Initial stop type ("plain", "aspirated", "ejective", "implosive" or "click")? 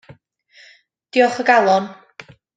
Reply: plain